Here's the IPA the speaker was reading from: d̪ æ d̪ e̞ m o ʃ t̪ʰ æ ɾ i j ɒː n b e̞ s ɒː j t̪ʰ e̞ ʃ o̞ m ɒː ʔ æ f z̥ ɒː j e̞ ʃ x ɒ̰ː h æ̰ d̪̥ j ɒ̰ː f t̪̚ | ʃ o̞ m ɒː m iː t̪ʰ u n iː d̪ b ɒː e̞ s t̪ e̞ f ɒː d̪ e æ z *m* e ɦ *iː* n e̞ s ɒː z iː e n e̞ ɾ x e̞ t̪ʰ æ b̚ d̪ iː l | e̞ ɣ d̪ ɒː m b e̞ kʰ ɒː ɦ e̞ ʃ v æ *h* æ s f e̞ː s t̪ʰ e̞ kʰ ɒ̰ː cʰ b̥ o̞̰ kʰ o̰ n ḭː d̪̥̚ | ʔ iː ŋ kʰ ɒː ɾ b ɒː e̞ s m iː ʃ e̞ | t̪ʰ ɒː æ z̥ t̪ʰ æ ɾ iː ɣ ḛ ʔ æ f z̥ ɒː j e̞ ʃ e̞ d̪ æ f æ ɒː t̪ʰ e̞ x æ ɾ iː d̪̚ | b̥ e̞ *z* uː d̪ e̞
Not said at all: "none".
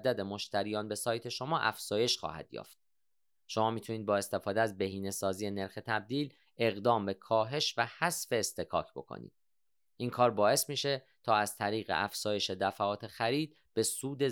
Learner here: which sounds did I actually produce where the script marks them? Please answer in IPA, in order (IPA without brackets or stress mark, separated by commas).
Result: b, iː, h, s